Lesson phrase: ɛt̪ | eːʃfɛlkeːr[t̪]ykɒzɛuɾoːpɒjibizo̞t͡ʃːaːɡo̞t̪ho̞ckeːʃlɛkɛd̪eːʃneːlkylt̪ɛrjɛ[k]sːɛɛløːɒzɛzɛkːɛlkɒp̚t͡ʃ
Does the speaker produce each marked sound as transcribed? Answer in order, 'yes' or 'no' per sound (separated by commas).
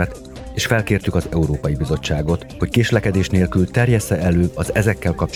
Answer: yes, no